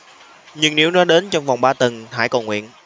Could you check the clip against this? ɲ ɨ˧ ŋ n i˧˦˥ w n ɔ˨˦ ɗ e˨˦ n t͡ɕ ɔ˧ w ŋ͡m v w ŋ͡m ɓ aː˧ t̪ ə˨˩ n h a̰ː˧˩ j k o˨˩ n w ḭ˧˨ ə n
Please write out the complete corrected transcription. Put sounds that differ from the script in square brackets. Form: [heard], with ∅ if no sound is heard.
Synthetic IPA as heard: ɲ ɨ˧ ŋ n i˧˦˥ w n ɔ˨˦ ɗ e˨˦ n t͡ɕ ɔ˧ w ŋ͡m v w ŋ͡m ɓ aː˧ t̪ ə˨˩ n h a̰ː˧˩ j k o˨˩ [ŋ] w ḭ˧˨ ə n